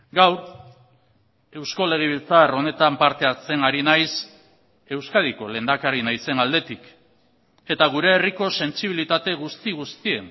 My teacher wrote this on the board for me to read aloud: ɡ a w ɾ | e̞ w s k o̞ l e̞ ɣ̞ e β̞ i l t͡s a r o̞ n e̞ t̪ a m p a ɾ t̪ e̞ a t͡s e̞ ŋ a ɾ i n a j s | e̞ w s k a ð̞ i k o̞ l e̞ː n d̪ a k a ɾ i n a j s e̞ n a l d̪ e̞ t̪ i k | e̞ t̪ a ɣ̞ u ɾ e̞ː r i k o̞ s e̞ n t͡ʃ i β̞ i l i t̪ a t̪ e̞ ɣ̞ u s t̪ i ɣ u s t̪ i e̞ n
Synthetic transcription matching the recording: ɡ a w ɾ | e̞ w s k o̞ l e̞ ɣ̞ e β̞ i l t͡s a r o̞ n e̞ t̪ a m p a ɾ t̪ e̞ a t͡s e̞ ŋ a ɾ i n a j s | e̞ w s k a ð̞ i k o̞ l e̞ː n d̪ a k a ɾ i n a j s e̞ n a l d̪ e̞ t̪ i k | e̞ t̪ a ɣ̞ u ɾ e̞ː r i k o̞ s e̞ n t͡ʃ i β̞ i l i t̪ a t̪ e̞ ɣ̞ u s t̪ i ɣ u s t̪ i e̞ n